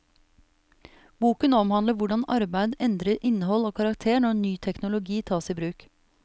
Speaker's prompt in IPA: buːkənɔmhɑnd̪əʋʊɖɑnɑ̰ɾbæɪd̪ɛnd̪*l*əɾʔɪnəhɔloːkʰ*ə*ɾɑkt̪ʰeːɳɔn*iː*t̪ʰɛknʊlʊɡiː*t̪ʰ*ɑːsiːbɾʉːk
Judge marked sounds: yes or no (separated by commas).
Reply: no, no, no, yes